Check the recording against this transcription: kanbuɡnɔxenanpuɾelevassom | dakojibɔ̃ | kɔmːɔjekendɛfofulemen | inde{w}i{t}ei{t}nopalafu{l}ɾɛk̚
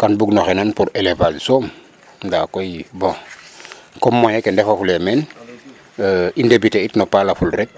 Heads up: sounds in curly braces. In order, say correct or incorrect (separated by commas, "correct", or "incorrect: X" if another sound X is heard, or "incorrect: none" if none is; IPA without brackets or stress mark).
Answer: incorrect: b, correct, correct, correct